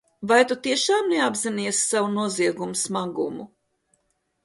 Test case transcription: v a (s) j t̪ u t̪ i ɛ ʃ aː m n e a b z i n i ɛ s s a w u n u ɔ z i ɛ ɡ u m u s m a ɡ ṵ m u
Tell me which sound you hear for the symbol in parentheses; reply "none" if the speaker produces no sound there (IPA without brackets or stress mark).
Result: none